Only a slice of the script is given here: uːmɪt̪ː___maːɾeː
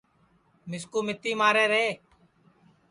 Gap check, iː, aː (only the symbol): iː